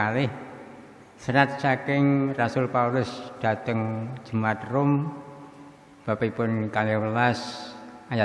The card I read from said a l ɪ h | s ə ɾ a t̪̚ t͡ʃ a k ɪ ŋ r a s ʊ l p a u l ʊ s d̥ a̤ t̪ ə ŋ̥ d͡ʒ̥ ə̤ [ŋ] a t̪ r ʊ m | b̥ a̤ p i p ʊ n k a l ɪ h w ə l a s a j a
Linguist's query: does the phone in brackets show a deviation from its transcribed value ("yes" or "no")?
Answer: yes